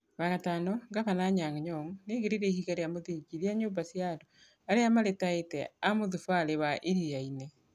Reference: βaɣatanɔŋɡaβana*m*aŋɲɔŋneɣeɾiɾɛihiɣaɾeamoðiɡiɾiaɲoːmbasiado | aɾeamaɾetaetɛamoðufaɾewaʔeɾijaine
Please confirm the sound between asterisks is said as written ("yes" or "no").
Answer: no